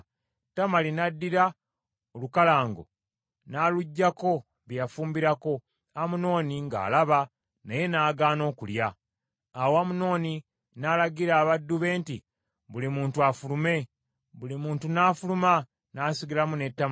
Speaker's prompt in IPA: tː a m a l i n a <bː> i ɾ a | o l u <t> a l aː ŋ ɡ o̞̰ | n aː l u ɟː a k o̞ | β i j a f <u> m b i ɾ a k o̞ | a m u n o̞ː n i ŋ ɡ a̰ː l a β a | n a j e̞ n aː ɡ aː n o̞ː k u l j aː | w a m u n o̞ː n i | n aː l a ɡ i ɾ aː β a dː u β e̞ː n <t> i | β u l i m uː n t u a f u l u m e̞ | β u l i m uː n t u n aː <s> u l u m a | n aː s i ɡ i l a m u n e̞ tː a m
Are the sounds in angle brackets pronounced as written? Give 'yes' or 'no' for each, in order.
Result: no, no, no, yes, no

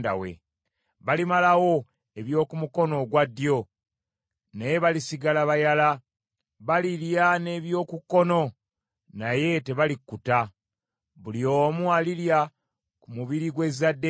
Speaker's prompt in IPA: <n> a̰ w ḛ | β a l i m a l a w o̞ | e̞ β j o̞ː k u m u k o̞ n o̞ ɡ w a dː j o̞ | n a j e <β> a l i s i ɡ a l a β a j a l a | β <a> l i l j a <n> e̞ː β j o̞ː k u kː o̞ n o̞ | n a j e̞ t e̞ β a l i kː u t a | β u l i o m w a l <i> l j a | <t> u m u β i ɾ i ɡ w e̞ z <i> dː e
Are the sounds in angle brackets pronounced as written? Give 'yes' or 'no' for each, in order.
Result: no, yes, yes, yes, yes, no, no

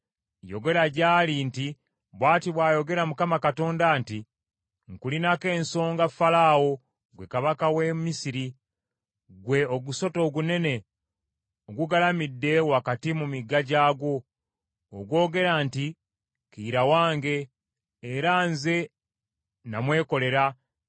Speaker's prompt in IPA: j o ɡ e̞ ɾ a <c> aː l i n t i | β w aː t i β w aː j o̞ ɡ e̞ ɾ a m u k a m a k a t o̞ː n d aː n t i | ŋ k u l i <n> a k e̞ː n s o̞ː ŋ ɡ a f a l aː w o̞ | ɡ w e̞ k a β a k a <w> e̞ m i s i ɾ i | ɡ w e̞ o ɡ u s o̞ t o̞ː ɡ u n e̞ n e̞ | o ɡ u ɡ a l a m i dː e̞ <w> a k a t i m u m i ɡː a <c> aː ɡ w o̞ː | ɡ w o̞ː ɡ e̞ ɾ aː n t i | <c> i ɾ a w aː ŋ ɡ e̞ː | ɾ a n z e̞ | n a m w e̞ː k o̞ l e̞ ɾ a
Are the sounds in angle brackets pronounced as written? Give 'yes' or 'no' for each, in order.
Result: no, yes, yes, yes, no, no

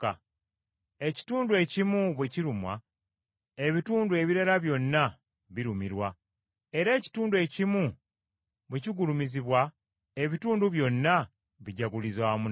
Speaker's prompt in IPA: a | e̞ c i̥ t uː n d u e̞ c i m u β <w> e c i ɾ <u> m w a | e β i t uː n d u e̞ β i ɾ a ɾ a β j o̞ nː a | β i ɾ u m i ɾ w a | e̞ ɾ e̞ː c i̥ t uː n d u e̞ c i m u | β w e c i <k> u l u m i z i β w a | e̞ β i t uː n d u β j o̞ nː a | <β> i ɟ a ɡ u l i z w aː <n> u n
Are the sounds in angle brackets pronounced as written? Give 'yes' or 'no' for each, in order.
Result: yes, yes, no, yes, no

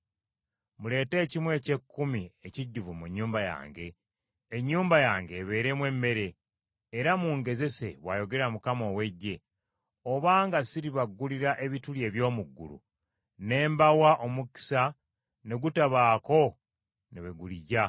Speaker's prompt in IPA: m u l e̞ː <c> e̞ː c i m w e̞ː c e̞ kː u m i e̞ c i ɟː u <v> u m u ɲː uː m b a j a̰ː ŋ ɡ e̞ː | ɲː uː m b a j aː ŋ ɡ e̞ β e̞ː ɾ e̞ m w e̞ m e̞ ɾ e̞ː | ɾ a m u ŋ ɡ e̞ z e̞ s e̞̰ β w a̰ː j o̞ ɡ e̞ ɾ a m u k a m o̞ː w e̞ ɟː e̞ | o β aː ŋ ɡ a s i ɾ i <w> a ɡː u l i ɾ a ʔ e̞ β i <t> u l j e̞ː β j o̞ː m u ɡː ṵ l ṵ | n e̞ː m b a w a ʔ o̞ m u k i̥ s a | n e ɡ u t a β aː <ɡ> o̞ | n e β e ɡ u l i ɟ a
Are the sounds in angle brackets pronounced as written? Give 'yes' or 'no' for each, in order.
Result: no, yes, no, yes, no

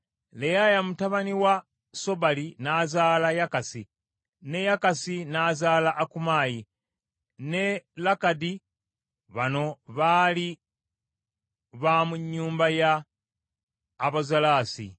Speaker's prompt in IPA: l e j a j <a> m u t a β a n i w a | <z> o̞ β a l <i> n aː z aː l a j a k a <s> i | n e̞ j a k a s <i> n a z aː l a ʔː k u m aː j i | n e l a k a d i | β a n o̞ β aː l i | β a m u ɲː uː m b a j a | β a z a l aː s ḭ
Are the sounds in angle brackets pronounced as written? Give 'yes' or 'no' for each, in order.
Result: yes, no, yes, yes, yes

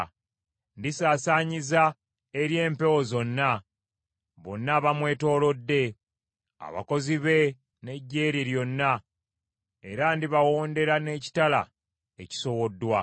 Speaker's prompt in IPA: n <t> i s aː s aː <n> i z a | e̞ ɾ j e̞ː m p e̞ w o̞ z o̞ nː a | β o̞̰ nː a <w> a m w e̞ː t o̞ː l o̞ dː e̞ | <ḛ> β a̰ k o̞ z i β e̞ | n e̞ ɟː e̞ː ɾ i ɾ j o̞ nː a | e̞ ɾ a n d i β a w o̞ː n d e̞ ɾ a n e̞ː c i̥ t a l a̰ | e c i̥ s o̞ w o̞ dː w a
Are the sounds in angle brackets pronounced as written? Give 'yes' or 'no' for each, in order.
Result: no, no, no, no

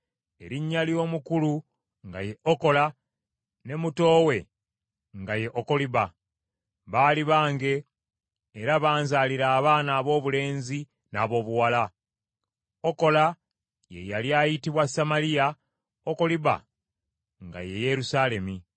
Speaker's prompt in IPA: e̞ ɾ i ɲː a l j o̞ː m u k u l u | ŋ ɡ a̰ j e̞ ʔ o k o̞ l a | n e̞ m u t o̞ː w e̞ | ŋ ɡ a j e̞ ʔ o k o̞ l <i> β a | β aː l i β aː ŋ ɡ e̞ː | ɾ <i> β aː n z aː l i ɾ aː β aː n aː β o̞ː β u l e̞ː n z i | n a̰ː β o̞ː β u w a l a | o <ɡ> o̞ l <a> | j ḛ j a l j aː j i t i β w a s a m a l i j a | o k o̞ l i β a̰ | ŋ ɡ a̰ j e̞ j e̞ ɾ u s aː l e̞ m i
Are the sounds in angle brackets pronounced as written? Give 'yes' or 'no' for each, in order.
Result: yes, no, no, yes

